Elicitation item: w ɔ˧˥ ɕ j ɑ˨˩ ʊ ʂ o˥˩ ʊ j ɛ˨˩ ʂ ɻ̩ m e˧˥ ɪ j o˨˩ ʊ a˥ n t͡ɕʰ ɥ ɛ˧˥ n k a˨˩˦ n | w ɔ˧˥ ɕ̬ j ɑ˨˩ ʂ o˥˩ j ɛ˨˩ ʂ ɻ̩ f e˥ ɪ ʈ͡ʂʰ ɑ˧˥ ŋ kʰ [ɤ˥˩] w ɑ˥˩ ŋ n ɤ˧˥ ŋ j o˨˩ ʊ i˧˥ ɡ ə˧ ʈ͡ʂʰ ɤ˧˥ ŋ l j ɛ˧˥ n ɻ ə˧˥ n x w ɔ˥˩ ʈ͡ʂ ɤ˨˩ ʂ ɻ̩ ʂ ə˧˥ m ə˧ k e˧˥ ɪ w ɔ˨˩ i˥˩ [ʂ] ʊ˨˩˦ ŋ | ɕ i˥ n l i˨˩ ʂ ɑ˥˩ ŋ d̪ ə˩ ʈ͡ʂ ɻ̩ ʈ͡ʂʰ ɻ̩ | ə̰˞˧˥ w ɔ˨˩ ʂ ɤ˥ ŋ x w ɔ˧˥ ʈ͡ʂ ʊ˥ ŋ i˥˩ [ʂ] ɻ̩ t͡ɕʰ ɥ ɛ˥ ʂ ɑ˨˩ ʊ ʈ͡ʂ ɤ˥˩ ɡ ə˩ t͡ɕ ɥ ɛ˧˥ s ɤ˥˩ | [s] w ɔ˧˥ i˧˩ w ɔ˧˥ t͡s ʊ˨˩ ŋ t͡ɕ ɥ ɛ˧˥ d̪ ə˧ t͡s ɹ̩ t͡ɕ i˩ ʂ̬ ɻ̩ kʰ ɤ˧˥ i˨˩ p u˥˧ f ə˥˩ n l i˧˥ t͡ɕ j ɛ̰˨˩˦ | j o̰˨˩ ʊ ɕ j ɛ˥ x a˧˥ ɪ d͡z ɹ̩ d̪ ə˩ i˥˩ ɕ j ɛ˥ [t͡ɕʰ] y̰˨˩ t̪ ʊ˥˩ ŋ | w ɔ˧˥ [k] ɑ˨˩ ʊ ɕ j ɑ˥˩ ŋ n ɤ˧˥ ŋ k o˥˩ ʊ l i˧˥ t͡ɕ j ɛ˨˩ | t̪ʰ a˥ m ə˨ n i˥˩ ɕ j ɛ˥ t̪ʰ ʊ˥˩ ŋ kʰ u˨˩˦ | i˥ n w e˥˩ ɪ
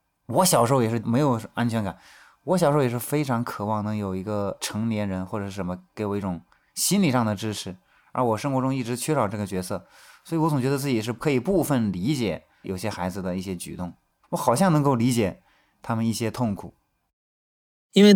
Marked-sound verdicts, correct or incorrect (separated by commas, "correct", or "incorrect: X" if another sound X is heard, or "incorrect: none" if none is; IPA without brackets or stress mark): incorrect: ɤ˨˩, incorrect: ʈ͡ʂ, incorrect: ʈ͡ʂ, correct, incorrect: t͡ɕ, incorrect: x